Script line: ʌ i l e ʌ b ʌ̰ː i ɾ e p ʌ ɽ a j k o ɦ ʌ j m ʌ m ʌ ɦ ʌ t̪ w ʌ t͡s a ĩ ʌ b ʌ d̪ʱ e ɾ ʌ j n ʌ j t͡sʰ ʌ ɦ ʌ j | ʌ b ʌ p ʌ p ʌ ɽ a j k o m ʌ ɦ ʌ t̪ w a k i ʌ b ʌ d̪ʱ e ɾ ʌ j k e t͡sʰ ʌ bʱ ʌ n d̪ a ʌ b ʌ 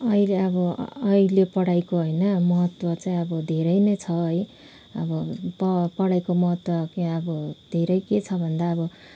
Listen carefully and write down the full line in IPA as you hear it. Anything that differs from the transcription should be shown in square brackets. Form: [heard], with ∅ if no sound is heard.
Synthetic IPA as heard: ʌ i l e ʌ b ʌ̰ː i [l] e p ʌ ɽ a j k o ɦ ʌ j [n] ʌ m ʌ ɦ ʌ t̪ w ʌ t͡s a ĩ ʌ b ʌ d̪ʱ e ɾ ʌ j n ʌ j t͡sʰ ʌ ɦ ʌ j | ʌ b ʌ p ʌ p ʌ ɽ a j k o m ʌ ɦ ʌ t̪ w [ʌ] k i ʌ b ʌ d̪ʱ e ɾ ʌ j k e t͡sʰ ʌ bʱ ʌ n d̪ a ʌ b ʌ